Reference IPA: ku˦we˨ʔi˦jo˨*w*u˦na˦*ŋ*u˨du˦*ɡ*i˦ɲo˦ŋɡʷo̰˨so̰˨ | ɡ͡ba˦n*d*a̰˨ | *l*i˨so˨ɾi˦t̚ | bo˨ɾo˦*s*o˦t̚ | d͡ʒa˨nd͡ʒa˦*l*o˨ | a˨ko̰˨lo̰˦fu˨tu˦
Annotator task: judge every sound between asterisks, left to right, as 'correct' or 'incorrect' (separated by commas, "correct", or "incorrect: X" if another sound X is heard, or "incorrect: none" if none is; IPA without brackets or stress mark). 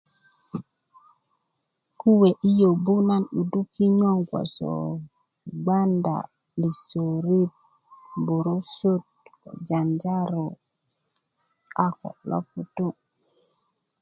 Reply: incorrect: b, incorrect: n, incorrect: k, correct, correct, correct, incorrect: ɾ